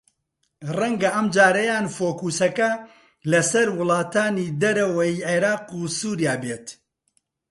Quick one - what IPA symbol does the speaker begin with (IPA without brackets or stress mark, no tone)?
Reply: r